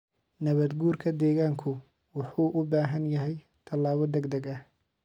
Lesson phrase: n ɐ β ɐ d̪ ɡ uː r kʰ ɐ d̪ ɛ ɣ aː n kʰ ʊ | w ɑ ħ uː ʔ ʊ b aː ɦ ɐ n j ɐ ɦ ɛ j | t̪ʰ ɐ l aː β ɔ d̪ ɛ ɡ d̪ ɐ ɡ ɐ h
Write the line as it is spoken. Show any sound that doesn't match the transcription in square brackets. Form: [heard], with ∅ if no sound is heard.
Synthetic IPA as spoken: n ɐ β ɐ d̪ ɡ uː r kʰ ɐ d̪ [ɛː] ɣ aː [ŋ] kʰ ʊ | w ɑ ħ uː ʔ ʊ b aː ɦ ɐ n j ɐ ɦ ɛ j | t̪ʰ ɐ l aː β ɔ d̪ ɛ ɡ d̪ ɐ ɡ ɐ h

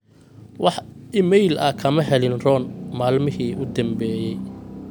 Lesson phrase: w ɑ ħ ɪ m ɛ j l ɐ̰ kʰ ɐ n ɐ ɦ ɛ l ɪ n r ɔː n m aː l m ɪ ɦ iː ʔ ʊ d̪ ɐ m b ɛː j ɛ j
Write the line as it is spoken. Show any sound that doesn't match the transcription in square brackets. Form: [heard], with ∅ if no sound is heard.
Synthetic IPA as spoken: w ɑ ħ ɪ m ɛ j l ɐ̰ kʰ ɐ [m] ɐ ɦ ɛ l ɪ n r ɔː n m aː l m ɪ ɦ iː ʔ ʊ d̪ ɐ m b ɛː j ɛ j

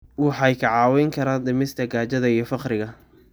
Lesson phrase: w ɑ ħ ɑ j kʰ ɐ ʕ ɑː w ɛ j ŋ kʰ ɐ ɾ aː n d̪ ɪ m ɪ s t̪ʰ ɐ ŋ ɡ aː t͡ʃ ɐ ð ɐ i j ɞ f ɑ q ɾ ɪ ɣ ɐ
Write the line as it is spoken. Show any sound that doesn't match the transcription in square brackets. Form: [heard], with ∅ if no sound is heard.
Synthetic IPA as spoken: w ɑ ħ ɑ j kʰ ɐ ʕ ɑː w ɛ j ŋ kʰ ɐ ɾ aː n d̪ ɪ m ɪ s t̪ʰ ɐ [∅] ɡ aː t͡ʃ ɐ ð ɐ i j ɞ f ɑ q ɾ ɪ ɣ ɐ

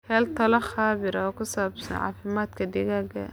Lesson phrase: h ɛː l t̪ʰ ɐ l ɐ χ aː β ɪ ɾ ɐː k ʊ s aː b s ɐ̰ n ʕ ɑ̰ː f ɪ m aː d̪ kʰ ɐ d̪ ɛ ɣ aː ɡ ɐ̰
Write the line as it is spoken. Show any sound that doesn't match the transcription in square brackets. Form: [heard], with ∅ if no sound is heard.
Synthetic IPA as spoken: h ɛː l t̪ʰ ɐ l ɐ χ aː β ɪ ɾ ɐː k ʊ s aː b s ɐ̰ n ʕ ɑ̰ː f ɪ m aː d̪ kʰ ɐ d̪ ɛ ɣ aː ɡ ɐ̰

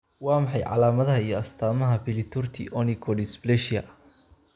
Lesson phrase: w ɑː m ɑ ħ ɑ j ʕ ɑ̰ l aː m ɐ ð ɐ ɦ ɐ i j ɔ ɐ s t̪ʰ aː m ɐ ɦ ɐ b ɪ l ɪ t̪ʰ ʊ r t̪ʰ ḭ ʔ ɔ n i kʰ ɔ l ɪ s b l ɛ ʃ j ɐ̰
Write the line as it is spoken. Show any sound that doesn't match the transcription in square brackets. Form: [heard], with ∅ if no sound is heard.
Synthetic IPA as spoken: w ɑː m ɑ ħ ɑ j ʕ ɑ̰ l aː m ɐ ð ɐ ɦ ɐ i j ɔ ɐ s t̪ʰ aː m ɐ ɦ ɐ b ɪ l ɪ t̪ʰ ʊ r t̪ʰ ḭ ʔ ɔ n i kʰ ɔ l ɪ s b l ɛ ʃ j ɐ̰

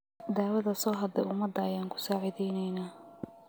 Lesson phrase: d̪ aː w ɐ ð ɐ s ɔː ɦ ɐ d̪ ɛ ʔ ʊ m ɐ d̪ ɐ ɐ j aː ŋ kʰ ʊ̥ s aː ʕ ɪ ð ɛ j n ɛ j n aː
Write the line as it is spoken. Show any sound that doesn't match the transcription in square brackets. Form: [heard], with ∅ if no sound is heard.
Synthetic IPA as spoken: d̪ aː w ɐ ð ɐ s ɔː ɦ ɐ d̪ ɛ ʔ ʊ m ɐ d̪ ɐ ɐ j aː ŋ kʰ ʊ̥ s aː ʕ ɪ ð ɛ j n ɛ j n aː

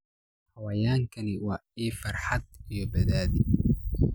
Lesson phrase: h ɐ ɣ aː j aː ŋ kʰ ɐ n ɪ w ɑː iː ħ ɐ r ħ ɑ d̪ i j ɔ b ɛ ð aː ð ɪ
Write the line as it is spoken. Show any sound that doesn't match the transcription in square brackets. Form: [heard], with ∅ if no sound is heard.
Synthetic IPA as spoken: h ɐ [w] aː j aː ŋ kʰ ɐ n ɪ w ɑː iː [f] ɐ r ħ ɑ d̪ i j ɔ b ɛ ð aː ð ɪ

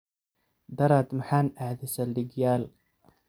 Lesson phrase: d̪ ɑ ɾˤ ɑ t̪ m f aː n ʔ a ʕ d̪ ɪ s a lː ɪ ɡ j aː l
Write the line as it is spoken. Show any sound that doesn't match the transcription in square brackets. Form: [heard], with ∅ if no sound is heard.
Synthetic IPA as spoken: d̪ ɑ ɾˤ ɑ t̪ m [ħ] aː n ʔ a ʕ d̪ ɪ s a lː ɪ ɡ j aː l

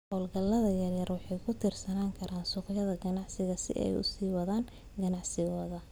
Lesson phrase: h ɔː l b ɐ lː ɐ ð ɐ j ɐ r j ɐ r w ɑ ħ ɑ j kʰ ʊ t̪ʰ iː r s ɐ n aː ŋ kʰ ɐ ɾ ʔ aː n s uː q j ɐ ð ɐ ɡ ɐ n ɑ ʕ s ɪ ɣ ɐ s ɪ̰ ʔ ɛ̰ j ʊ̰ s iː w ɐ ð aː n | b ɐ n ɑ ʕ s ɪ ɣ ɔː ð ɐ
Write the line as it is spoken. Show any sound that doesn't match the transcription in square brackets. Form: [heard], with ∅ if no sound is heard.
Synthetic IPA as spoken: h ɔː l [ɡ] ɐ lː ɐ ð ɐ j ɐ r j ɐ r w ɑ ħ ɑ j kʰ ʊ t̪ʰ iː r s ɐ n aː ŋ kʰ ɐ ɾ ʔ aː n s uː q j ɐ ð ɐ ɡ ɐ n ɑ ʕ s ɪ ɣ ɐ s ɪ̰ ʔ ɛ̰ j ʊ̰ s iː w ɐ ð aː n | [ɡ] ɐ n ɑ ʕ s ɪ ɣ ɔː ð ɐ

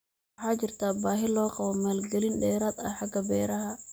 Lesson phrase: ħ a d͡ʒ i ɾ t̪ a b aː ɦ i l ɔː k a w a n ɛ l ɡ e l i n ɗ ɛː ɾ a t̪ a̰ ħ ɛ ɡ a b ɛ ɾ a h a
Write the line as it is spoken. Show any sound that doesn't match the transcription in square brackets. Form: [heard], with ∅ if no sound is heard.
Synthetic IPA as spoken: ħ a d͡ʒ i ɾ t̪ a b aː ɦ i l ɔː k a w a [m] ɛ l ɡ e l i n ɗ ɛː ɾ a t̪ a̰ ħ [a] ɡ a b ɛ ɾ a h a

